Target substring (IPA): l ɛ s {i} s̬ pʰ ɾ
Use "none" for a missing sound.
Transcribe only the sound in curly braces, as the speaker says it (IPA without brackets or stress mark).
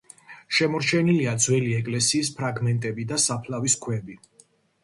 iː